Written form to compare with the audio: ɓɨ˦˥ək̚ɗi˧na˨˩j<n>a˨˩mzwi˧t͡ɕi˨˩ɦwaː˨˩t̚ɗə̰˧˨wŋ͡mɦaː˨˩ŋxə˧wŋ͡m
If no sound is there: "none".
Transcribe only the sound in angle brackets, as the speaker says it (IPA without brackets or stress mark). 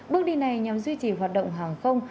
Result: ɲ